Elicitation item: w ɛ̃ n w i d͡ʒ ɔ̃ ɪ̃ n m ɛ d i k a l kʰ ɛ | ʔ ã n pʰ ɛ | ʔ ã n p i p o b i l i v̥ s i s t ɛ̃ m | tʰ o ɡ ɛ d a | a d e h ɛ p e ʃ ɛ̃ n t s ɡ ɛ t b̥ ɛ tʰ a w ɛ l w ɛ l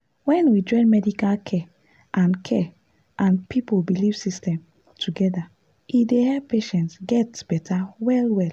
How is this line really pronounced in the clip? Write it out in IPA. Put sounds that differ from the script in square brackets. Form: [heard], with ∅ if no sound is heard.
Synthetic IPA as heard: w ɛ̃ n w i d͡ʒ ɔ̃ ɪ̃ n m ɛ d i k a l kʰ ɛ | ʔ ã n [kʰ] ɛ | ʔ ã n p i p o b i l i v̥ s i s t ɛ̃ m | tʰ [u] ɡ ɛ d a | [i] d e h ɛ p e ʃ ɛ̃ n t s ɡ ɛ t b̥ ɛ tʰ a w ɛ l w ɛ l